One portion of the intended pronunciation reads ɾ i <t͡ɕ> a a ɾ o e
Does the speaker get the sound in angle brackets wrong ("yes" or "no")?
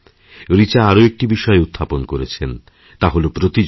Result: no